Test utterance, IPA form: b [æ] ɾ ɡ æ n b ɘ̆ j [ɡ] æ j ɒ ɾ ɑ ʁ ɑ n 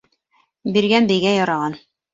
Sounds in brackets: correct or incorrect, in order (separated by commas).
incorrect, correct